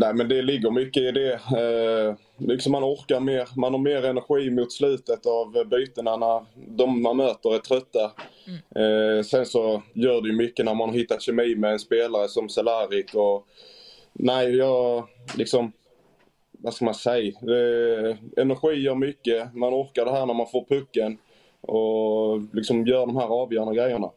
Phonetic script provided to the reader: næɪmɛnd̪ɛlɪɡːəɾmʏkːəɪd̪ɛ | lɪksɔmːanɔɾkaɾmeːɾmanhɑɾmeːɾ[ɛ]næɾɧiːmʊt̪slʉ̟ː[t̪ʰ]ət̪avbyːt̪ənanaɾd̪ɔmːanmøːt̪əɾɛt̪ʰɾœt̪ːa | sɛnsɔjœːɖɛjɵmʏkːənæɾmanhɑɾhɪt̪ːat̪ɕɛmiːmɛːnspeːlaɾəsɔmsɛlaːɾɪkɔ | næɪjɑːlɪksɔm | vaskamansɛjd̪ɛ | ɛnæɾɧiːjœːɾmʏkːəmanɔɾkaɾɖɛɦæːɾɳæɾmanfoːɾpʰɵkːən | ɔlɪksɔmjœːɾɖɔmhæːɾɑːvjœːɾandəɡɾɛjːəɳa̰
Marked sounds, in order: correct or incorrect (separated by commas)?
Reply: correct, incorrect